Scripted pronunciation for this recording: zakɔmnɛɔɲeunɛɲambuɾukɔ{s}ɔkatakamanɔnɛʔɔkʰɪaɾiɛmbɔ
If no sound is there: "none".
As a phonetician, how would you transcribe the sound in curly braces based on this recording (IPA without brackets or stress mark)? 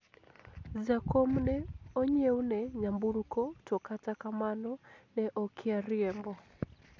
t